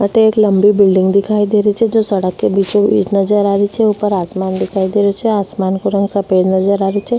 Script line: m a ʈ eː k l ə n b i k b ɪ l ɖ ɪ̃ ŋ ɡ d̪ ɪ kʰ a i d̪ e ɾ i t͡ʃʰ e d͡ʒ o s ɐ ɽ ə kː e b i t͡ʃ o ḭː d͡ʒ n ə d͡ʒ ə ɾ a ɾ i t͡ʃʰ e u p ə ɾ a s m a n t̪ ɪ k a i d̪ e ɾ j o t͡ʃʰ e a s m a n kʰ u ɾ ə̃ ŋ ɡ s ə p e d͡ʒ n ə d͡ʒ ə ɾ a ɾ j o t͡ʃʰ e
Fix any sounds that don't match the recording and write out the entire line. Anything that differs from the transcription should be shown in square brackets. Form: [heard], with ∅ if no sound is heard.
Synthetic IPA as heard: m a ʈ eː k l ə [m] b i [∅] b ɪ l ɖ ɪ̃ ŋ ɡ d̪ ɪ kʰ a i d̪ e ɾ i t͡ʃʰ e d͡ʒ o s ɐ ɽ ə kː e b i t͡ʃ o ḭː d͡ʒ n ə d͡ʒ ə ɾ a ɾ i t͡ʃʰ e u p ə ɾ a s m a n [d̪] ɪ [kʰ] a i d̪ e ɾ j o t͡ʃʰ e a s m a n [k] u ɾ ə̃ ŋ ɡ s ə p e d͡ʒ n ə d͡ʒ ə ɾ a ɾ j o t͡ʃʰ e